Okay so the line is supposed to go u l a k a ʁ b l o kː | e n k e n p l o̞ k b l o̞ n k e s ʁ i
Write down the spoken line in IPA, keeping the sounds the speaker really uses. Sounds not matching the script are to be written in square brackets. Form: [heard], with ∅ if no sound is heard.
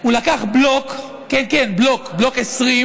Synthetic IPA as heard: u l a k a [χ] b l o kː | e n k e n [b] l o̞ k b l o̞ [∅] k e s ʁ i